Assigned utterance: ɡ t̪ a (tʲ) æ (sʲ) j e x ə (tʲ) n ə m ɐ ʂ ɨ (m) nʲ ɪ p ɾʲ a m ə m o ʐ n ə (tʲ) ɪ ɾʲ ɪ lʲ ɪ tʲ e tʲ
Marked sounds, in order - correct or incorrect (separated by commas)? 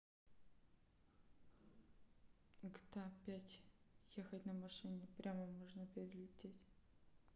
incorrect, incorrect, correct, incorrect, incorrect